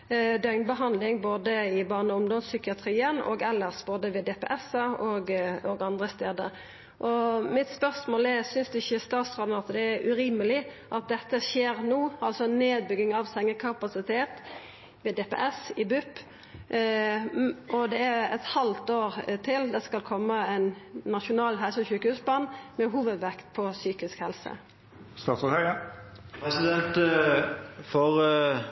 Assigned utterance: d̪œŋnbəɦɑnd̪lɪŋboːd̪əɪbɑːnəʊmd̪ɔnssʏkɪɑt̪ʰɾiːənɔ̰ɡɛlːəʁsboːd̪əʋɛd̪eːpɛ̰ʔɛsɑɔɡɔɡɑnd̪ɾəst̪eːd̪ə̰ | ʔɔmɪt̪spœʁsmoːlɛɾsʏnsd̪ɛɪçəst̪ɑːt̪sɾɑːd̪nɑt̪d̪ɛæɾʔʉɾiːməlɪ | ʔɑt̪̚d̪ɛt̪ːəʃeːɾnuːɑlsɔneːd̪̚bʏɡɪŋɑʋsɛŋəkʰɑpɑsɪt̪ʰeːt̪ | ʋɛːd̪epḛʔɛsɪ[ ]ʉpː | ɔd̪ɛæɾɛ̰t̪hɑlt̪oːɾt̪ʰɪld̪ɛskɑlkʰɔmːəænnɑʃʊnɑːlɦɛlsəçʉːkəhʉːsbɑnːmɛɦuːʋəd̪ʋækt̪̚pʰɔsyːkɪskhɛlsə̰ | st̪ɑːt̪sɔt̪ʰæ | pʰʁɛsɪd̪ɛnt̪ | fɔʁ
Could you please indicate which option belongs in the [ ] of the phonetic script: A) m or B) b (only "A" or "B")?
B